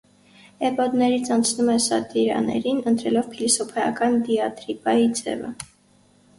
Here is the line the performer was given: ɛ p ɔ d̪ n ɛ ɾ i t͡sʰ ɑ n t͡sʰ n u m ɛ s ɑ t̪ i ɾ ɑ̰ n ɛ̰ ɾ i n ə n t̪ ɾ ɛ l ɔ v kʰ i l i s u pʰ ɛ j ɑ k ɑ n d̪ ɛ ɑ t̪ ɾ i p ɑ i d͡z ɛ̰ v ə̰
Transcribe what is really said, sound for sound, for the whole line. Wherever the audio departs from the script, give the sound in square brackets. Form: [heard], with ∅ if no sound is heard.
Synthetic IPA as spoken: ɛ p ɔ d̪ n ɛ ɾ i t͡sʰ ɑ n t͡sʰ n u m ɛ s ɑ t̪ i ɾ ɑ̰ n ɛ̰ ɾ i n ə n t̪ ɾ ɛ l ɔ v [pʰ] i l i s [ɔ] pʰ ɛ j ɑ k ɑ n d̪ [i] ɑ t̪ ɾ i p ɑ i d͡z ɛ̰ v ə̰